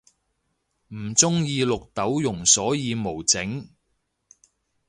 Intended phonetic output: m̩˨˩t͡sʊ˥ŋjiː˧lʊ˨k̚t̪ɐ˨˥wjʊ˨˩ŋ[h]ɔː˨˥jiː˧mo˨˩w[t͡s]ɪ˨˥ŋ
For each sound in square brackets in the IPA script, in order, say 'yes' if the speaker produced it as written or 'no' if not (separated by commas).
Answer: no, yes